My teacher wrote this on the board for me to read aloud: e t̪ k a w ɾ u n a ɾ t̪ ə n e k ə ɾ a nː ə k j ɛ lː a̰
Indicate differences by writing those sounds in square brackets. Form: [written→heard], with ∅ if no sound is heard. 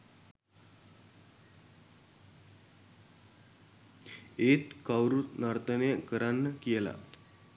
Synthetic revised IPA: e t̪ k a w ɾ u n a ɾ t̪ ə n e k ə ɾ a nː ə k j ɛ [lː→l] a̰

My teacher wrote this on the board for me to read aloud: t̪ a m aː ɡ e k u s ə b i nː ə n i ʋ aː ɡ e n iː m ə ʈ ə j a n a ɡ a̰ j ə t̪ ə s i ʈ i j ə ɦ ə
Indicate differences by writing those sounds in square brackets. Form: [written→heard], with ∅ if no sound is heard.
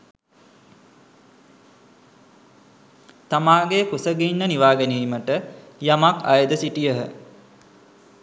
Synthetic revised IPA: t̪ a m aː ɡ e k u s ə [b→ɡ] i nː ə n i ʋ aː ɡ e n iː m ə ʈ ə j a [n→m] a [ɡ→k] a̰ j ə [t̪→d̪] ə s i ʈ i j ə ɦ ə

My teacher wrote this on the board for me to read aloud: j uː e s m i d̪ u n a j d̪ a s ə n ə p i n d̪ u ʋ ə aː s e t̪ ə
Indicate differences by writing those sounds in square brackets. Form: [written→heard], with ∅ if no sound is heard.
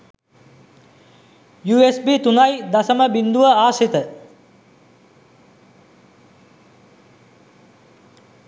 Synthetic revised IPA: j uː e s [m→b] i [d̪→t̪] u n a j d̪ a s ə [n→m] ə [p→b] i n d̪ u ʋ ə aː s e t̪ ə

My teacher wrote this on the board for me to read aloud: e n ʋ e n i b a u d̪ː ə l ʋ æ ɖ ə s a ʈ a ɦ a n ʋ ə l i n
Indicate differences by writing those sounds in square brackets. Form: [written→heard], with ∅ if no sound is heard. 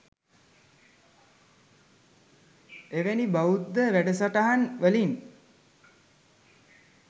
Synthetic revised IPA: e [n→∅] ʋ e n i b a u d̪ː ə [l→∅] ʋ æ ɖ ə s a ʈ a ɦ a n ʋ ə l i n

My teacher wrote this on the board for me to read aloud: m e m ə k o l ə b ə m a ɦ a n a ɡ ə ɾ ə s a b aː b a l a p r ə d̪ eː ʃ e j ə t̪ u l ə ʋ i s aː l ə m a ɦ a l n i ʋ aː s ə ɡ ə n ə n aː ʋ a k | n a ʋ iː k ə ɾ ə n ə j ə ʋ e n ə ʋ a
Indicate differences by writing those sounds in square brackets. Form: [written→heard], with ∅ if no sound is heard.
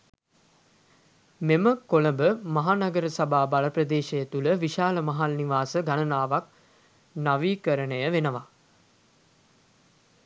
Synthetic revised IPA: m e m ə k o l ə b ə m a ɦ a n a ɡ ə ɾ ə s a b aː b a l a p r ə d̪ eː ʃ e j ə t̪ u l ə ʋ i [s→ʃ] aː l ə m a ɦ a l n i ʋ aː s ə ɡ [ə→a] n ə n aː ʋ a k | n a ʋ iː k ə ɾ ə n ə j ə ʋ e n ə ʋ a

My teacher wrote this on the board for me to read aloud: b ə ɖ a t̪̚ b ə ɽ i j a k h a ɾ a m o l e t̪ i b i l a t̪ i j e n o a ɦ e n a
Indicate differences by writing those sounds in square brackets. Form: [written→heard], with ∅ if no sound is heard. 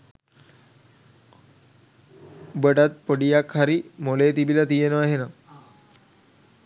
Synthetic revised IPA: b ə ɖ a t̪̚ [b→p] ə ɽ i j a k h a ɾ [a→i] m o l e t̪ i b i l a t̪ i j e n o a ɦ e n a

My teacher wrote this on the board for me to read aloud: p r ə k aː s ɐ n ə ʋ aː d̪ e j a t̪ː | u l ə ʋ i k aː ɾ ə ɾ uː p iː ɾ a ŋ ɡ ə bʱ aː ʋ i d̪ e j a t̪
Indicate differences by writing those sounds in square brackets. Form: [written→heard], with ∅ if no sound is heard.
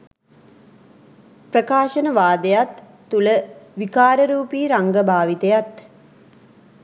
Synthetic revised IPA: p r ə k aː [s→ʃ] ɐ n ə ʋ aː d̪ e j a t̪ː | u l ə ʋ i k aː ɾ ə ɾ uː p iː ɾ a ŋ ɡ ə bʱ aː ʋ i [d̪→t̪] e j a t̪

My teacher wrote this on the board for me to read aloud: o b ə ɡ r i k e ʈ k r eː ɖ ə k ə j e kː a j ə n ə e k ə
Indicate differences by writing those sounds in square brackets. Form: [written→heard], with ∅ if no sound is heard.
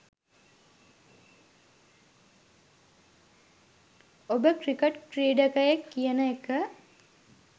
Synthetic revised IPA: o b ə [ɡ→k] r i k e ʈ k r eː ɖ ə k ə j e kː [a→i] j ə n ə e k ə

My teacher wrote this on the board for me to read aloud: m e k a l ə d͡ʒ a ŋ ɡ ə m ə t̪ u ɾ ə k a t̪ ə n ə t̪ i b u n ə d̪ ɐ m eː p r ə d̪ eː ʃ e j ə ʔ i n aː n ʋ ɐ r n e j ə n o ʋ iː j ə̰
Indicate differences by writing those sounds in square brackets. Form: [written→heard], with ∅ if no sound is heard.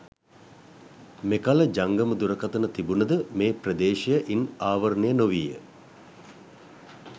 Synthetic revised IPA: m e k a l ə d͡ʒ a ŋ ɡ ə m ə [t̪→d̪] u ɾ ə k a t̪ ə n ə t̪ i b u n ə d̪ [ɐ→ə] m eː p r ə d̪ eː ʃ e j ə ʔ i n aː [n→∅] ʋ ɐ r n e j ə n o ʋ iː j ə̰

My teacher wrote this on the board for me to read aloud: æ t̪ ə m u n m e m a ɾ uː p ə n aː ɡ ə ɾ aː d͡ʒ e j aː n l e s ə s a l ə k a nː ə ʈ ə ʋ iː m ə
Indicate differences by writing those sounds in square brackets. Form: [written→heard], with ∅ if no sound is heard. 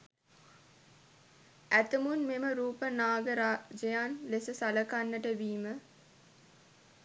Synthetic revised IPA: æ t̪ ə m u n m e m [a→ə] ɾ uː p ə n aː ɡ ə ɾ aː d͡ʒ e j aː n l e s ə s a l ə k a nː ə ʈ ə ʋ iː m ə

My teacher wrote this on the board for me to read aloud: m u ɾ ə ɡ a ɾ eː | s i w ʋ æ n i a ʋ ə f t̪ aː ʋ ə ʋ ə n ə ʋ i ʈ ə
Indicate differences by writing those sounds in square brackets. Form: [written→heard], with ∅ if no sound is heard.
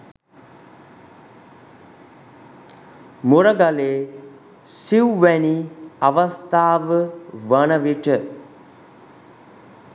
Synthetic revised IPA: m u ɾ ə ɡ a [ɾ→l] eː | s i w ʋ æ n i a ʋ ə [f→s] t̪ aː ʋ ə ʋ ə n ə ʋ i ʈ ə

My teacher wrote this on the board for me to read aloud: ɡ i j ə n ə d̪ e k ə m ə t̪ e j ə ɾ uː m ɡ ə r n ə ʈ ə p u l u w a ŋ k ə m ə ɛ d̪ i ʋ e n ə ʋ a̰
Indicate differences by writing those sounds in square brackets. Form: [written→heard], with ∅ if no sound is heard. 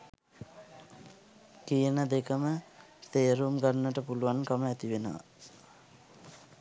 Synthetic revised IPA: [ɡ→k] i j ə n ə d̪ e k ə m ə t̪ e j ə ɾ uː m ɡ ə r n ə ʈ ə p u l u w a [ŋ→n] k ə m ə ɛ [d̪→t̪] i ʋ e n ə ʋ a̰

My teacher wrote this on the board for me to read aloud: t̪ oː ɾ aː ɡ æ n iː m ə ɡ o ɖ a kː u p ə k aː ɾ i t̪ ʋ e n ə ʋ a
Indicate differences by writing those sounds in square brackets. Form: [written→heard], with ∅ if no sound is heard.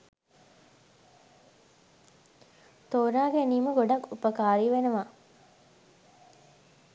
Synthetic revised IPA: t̪ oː ɾ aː ɡ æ n iː m ə ɡ o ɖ a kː u p ə k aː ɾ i [t̪→∅] ʋ e n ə ʋ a

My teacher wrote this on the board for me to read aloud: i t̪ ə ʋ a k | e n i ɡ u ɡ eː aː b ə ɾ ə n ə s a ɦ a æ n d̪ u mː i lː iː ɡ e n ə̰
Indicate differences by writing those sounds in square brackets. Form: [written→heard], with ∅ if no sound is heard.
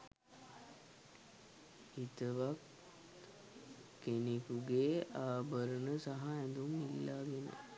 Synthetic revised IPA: i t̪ ə ʋ a k | e n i [ɡ→k] u ɡ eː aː b ə ɾ ə n ə s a ɦ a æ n d̪ u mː i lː [iː→aː] ɡ e n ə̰

